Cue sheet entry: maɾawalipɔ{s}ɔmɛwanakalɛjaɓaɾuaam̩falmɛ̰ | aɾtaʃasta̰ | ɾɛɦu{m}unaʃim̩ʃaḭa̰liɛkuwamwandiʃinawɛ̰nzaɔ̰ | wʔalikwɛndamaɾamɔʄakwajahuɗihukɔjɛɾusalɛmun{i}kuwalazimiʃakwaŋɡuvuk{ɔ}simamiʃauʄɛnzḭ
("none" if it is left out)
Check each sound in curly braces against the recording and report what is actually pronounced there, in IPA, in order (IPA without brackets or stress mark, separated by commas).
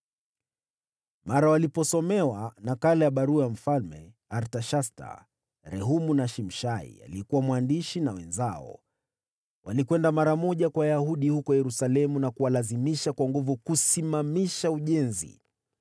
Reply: s, m, a, u